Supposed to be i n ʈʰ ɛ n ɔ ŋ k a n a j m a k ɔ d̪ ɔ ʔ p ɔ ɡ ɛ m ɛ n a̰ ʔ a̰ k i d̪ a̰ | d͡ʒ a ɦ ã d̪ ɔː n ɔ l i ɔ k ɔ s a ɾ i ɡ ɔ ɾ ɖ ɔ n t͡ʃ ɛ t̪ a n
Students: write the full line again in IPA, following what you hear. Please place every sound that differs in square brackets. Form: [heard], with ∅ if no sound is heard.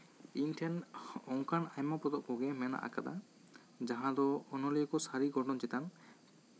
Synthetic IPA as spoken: i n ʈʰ ɛ n ɔ ŋ k a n a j m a [p] ɔ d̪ ɔ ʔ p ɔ ɡ ɛ m ɛ n a̰ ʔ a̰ k [a] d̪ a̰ | d͡ʒ a ɦ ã d̪ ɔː n ɔ l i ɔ k ɔ s a ɾ i ɡ ɔ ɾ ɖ ɔ n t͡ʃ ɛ t̪ a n